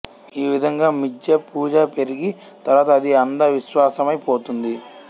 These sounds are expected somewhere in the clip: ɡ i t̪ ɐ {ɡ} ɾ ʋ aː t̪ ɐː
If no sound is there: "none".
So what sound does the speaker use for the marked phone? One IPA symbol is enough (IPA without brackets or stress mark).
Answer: none